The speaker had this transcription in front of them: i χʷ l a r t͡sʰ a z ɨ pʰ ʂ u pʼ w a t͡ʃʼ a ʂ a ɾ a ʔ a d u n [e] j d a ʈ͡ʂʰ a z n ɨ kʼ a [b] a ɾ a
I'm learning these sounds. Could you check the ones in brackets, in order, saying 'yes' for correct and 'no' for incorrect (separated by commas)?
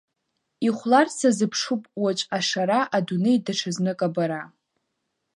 yes, yes